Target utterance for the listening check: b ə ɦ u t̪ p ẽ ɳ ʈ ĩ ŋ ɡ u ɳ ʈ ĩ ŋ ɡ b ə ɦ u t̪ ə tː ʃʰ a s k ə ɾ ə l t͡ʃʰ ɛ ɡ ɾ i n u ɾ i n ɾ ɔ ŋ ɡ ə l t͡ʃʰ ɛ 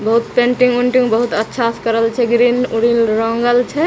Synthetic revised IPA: b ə ɦ u t̪ p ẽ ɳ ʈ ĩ ŋ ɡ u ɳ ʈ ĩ ŋ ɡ b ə ɦ u t̪ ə tː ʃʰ a s k ə ɾ ə l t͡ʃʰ ɛ ɡ ɾ i n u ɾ i n ɾ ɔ ŋ ɡ ə l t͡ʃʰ ɛ